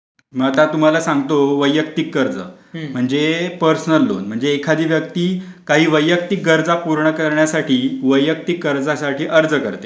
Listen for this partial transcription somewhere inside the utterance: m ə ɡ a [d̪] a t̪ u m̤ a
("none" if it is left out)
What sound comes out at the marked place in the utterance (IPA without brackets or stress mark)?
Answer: t̪